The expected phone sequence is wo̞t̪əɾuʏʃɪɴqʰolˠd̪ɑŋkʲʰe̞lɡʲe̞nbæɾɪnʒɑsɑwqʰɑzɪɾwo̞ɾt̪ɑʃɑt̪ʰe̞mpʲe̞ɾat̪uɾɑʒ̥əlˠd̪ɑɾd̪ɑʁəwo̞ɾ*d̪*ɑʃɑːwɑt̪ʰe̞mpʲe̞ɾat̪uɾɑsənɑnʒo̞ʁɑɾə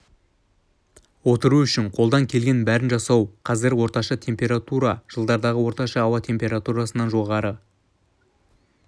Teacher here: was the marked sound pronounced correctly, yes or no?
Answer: no